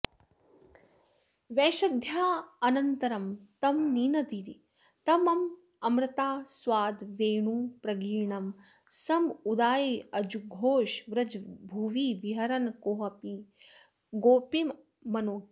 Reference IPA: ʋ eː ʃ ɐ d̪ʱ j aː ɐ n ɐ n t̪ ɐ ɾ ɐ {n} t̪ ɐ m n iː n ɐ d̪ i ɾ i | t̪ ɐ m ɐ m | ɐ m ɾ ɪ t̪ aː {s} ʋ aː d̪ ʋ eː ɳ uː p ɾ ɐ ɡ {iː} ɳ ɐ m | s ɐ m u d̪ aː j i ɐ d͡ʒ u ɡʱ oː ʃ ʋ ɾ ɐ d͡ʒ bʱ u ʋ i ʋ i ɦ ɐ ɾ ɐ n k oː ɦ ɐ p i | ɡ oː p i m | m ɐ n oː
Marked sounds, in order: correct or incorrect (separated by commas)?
incorrect, correct, correct